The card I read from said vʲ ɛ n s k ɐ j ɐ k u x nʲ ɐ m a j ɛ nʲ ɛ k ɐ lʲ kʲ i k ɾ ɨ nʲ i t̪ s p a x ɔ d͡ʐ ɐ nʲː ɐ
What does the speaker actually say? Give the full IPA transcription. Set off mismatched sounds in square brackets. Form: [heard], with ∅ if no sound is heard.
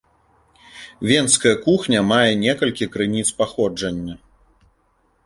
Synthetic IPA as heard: vʲ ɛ n s k ɐ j ɐ k u x nʲ ɐ m a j ɛ nʲ ɛ k ɐ lʲ kʲ i k ɾ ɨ nʲ i t̪ s p a x ɔ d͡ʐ ɐ nʲː ɐ